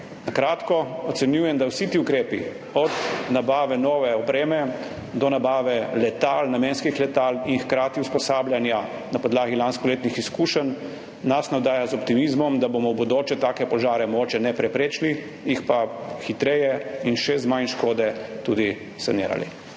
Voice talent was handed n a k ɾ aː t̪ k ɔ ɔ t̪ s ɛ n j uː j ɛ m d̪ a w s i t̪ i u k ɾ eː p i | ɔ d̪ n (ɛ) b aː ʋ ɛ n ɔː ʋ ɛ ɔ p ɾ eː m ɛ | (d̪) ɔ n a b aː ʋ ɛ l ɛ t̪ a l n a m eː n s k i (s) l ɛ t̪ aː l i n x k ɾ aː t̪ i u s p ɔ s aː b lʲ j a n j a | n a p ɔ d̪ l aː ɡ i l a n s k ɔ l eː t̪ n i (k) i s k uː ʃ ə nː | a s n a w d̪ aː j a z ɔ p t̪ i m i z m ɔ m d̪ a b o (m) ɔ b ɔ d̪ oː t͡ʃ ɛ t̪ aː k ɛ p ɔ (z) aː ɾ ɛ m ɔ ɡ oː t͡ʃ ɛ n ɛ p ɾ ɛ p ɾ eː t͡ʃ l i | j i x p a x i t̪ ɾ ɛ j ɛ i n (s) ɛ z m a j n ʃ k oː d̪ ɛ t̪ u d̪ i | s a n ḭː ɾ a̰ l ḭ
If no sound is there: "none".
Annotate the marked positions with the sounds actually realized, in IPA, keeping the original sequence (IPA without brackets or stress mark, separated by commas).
a, d̪, x, x, m, ʒ, ʃ